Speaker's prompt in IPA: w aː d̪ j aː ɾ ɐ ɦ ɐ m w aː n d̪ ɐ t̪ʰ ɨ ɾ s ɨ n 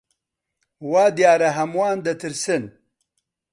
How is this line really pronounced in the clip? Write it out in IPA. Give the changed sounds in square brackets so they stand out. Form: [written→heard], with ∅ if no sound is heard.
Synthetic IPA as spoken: w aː d̪ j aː ɾ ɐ ɦ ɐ m w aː n d̪ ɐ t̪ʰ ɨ ɾ s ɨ n